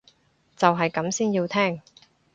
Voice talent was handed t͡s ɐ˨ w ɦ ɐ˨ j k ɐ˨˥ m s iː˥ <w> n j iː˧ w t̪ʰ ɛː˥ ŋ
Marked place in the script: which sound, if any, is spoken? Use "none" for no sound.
none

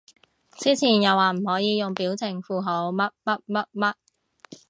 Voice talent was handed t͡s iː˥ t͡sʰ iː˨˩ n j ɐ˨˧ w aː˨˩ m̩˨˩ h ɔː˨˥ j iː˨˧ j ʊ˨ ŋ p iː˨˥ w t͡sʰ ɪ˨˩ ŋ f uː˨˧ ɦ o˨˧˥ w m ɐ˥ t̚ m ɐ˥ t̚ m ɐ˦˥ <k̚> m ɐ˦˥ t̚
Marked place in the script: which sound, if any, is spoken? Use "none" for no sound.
t̚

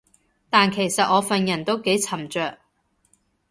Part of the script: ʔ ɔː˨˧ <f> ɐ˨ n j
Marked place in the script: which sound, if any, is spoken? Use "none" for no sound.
f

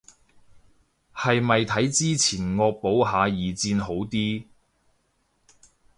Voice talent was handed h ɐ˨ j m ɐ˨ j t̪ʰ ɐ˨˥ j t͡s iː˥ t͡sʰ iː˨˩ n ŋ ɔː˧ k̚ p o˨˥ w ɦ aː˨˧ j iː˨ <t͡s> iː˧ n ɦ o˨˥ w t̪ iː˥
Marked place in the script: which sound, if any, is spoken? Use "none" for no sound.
t͡s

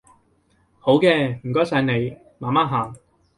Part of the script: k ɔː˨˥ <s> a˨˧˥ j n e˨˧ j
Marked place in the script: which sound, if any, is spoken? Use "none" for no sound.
s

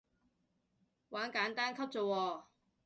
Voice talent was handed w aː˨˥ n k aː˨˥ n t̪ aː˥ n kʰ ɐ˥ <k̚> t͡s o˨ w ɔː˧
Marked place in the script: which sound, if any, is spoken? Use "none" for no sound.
p̚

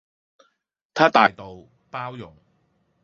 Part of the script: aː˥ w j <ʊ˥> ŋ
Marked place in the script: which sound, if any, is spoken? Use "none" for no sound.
ʊ˨˩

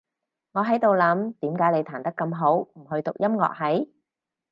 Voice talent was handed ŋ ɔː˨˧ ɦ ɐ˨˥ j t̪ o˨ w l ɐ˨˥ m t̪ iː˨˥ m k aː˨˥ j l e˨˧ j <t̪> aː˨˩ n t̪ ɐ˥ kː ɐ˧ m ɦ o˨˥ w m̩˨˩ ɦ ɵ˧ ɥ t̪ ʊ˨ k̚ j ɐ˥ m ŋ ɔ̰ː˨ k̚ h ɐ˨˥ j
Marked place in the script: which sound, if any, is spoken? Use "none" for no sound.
t̪ʰ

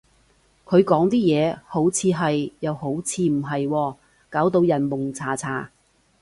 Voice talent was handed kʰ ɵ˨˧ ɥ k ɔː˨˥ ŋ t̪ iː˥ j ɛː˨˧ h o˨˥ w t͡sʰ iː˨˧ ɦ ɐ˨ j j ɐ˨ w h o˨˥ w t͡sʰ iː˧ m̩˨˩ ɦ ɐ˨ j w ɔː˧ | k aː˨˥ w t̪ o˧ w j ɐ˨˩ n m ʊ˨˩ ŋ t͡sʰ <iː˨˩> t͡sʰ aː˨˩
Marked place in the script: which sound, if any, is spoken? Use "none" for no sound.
aː˨˩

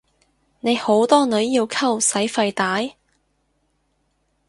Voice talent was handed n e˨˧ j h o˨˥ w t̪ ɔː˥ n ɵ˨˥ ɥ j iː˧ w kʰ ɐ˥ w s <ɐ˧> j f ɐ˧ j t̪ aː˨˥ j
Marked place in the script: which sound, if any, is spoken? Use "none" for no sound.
ɐ˨˥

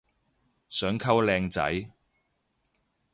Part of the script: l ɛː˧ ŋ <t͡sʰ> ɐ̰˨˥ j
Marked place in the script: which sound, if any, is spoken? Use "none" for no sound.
t͡s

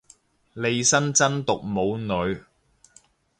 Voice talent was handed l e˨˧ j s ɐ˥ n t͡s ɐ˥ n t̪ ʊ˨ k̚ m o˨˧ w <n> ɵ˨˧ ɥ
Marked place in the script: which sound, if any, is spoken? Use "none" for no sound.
n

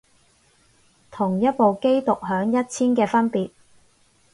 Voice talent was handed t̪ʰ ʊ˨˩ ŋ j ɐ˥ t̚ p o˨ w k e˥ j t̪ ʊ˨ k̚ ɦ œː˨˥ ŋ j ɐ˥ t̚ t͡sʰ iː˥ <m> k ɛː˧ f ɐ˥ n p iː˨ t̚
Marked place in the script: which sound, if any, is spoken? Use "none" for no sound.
n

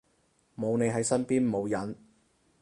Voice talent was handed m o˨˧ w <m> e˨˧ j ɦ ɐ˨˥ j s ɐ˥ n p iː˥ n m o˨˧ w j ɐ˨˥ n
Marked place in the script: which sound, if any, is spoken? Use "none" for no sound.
n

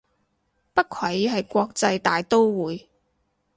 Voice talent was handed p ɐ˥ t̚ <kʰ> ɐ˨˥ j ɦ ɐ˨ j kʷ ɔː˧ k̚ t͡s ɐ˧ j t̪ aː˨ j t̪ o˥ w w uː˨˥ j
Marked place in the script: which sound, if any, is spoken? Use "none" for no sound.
kʰ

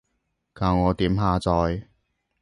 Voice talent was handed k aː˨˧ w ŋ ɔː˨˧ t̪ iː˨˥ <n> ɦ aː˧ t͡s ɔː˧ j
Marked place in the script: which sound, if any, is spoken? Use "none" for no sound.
m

